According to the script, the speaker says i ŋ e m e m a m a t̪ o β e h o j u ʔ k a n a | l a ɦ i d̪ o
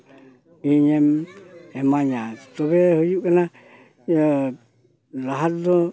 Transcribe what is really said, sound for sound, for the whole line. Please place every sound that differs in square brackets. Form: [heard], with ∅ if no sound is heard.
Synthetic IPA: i [ɲ] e m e m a [ɲ] a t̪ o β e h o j u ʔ k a n a | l a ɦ [a] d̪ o